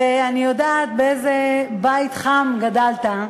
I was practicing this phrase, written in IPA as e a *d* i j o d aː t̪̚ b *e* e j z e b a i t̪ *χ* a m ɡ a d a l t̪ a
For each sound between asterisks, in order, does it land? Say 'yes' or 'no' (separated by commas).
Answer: no, yes, yes